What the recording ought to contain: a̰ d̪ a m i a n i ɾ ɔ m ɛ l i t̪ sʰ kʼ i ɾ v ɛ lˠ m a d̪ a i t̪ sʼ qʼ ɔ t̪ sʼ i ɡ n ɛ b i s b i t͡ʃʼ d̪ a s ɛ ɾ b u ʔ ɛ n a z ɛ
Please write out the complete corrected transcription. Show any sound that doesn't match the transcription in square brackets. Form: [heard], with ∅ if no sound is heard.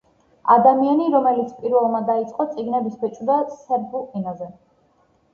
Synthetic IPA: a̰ d̪ a m i a n i ɾ ɔ m ɛ l i t̪ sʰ [pʼ] i ɾ v ɛ lˠ m a d̪ a i t̪ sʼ qʼ ɔ t̪ sʼ i ɡ n ɛ b i s b [ɛ] t͡ʃʼ d̪ a s ɛ ɾ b u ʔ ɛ n a z ɛ